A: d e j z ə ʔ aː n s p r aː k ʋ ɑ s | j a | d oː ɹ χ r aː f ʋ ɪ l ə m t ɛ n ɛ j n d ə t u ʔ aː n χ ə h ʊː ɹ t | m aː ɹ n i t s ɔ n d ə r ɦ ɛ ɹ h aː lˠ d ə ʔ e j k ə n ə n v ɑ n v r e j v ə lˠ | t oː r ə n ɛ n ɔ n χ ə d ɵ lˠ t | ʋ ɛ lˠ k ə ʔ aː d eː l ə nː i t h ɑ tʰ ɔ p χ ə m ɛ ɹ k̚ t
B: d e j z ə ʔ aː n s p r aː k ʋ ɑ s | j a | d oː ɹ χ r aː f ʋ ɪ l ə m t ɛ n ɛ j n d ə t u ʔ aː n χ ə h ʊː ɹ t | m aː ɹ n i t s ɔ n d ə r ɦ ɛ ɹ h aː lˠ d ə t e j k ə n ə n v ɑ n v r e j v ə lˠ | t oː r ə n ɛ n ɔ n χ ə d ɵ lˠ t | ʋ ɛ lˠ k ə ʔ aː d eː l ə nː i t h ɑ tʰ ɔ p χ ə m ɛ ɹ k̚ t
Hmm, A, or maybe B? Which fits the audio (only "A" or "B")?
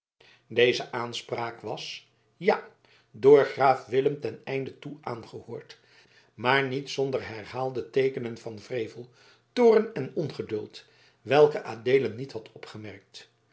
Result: B